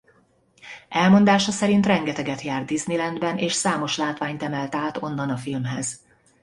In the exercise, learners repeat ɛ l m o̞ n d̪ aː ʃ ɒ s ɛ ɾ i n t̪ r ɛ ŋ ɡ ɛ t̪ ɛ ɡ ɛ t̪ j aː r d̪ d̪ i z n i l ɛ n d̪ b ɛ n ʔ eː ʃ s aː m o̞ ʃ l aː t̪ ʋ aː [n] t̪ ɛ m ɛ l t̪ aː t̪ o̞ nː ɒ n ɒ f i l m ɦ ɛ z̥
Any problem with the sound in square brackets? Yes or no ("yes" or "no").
yes